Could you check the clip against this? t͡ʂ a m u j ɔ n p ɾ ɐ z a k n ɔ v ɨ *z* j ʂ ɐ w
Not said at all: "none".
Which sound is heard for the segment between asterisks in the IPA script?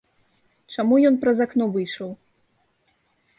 none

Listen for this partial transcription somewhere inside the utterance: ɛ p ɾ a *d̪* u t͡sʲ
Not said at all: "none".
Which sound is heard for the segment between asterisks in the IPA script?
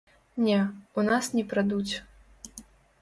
d̪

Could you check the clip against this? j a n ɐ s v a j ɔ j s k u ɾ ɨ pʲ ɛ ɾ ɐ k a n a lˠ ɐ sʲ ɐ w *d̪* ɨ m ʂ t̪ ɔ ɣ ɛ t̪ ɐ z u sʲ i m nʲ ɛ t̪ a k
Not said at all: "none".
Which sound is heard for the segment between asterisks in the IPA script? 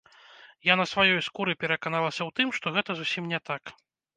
t̪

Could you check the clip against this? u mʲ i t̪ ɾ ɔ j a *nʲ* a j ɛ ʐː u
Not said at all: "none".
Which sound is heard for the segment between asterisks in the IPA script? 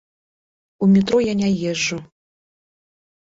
nʲ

